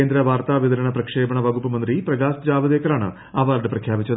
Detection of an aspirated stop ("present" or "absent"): present